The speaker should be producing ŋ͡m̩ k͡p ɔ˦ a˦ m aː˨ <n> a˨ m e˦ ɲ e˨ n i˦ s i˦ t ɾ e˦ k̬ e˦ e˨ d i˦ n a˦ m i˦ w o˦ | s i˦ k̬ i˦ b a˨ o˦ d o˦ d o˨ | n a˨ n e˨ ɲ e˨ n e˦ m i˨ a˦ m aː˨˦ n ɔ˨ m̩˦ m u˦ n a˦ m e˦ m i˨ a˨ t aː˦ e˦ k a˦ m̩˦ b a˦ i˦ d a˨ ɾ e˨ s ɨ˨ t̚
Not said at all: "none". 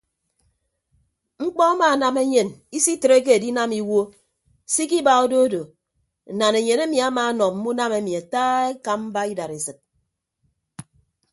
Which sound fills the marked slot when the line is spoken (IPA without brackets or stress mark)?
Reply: n